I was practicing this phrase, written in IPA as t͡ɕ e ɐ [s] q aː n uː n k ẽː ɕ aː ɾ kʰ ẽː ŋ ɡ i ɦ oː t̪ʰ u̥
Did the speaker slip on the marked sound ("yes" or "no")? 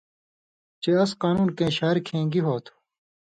no